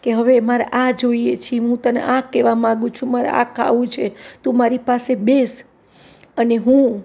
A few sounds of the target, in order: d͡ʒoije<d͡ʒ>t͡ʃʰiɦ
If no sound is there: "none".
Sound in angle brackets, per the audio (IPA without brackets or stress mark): none